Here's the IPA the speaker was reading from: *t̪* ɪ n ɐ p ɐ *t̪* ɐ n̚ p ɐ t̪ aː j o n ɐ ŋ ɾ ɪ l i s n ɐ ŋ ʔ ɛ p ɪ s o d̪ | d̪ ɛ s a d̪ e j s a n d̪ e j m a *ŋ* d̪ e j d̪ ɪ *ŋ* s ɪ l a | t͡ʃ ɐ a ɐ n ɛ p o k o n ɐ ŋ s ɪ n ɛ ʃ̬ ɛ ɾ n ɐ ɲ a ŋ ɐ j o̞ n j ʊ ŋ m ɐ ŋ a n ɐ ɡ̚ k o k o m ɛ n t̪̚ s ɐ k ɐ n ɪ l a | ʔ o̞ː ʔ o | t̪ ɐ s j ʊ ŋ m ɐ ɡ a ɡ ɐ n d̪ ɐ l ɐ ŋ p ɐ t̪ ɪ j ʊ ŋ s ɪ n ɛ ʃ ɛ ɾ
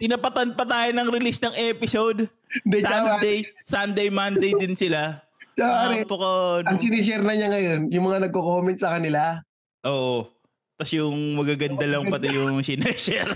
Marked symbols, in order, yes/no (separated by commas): yes, yes, no, no